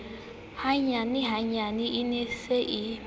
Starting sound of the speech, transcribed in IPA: h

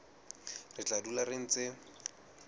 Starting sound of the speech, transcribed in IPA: r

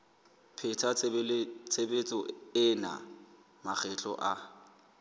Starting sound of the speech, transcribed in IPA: pʰ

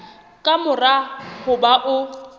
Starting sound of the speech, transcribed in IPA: kʼ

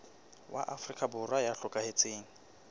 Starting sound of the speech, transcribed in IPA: w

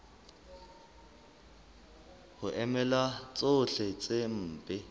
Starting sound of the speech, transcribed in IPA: h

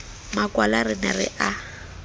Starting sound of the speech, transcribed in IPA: m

